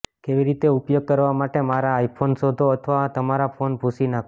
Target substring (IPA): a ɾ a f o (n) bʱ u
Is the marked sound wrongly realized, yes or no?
no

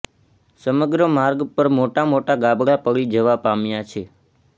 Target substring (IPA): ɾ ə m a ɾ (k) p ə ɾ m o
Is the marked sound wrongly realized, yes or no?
yes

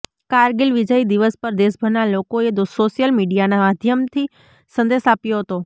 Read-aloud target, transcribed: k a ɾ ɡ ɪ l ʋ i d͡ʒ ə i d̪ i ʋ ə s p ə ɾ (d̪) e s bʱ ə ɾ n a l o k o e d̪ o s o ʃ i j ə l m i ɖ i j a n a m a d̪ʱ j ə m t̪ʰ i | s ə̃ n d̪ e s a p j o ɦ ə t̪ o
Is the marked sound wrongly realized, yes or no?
no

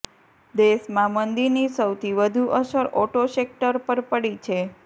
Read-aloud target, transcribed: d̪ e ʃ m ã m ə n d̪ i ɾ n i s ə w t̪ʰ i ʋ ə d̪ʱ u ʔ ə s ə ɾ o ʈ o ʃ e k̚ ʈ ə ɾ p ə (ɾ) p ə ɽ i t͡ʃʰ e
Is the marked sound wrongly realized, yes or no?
no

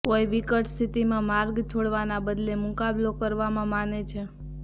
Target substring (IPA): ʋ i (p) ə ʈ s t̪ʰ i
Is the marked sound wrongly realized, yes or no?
yes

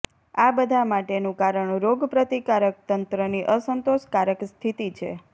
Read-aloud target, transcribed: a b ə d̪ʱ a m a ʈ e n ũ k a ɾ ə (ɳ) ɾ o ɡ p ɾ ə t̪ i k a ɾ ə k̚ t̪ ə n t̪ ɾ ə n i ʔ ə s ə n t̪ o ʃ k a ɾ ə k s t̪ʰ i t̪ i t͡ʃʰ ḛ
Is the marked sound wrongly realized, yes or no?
no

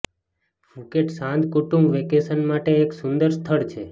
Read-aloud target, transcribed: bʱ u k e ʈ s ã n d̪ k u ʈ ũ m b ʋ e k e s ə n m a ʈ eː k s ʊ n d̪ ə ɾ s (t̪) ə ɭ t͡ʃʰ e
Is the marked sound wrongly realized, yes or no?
yes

